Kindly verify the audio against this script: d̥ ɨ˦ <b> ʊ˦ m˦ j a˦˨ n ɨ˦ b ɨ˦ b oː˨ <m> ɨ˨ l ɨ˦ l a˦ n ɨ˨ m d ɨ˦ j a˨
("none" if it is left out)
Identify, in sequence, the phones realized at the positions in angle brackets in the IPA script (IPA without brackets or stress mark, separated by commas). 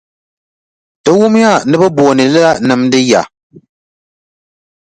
w, n